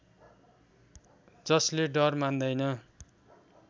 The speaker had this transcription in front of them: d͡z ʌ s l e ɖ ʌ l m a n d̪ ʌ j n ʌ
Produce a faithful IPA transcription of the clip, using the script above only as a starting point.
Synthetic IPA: d͡z ʌ s l e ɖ ʌ r m a n d̪ ʌ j n ʌ